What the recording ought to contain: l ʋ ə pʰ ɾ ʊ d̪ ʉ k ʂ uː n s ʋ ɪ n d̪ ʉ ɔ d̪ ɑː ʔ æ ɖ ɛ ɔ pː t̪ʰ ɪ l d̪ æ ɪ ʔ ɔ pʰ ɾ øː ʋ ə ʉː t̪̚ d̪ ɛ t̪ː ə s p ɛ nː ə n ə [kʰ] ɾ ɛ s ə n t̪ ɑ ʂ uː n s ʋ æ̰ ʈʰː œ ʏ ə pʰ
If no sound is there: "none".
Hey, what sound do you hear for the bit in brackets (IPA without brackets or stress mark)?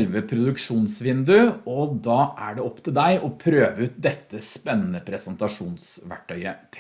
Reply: pʰ